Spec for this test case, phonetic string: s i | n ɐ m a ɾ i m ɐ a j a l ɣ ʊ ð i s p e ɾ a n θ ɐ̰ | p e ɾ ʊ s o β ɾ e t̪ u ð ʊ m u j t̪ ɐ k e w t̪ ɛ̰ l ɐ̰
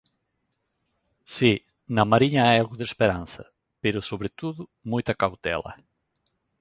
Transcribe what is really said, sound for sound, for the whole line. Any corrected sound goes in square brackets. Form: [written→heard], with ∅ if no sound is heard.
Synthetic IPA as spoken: s i | n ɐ m a ɾ i [m→ɲ] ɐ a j a l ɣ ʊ ð [i→e] s p e ɾ a n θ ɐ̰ | p e ɾ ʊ s o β ɾ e t̪ u ð ʊ m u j t̪ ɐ k [e→a] w t̪ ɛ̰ l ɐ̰